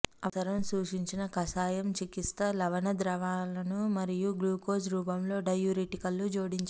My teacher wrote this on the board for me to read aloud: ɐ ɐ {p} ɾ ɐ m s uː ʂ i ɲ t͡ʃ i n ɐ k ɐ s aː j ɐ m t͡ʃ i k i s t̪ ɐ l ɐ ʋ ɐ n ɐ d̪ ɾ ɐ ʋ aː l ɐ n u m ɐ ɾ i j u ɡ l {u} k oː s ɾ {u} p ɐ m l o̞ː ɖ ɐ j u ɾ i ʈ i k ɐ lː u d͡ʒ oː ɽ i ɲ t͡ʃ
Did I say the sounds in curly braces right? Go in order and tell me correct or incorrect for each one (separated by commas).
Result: incorrect, incorrect, incorrect